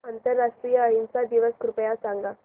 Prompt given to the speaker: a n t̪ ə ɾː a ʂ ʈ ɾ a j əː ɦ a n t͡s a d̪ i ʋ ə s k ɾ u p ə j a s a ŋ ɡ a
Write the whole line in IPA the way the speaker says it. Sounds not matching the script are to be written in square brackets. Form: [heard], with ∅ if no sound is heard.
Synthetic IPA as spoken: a n t̪ ə ɾː a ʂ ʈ ɾ [i] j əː ɦ [i] n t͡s a d̪ i ʋ ə s k ɾ u p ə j a s a ŋ ɡ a